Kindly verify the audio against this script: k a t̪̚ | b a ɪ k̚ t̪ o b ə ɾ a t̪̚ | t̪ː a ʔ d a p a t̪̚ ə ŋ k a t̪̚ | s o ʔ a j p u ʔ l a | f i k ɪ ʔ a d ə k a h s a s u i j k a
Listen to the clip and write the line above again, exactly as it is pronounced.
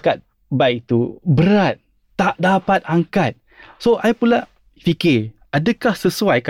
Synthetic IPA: k a t̪̚ | b a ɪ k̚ t̪ u b ə ɾ a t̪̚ | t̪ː a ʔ d a p a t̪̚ a ŋ k a t̪̚ | s o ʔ a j p u l a | f i k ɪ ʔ a d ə k a h s ə s u a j k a